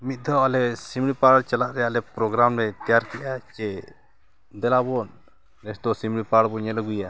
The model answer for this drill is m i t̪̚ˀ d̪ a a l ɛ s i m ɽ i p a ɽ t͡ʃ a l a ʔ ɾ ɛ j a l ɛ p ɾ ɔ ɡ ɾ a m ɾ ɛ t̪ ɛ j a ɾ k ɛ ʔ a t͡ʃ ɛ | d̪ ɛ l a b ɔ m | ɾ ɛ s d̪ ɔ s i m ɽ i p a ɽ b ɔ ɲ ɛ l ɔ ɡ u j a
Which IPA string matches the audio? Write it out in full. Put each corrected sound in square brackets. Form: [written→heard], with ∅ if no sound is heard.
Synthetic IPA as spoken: m i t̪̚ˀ d̪ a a l ɛ s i m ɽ i p a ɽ t͡ʃ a l a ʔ ɾ ɛ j a l ɛ p ɾ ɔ ɡ ɾ a m ɾ ɛ t̪ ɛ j a ɾ k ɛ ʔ a t͡ʃ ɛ | d̪ ɛ l a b ɔ [m→n] | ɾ ɛ s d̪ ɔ s i m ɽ i p a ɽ b ɔ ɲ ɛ l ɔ ɡ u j a